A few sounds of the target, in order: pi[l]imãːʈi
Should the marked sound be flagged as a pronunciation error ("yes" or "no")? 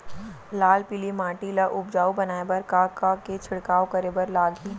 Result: no